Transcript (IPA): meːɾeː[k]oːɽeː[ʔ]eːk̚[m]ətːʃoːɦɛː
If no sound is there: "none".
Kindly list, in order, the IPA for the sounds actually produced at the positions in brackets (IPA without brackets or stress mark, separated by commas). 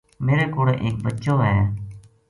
k, ʔ, b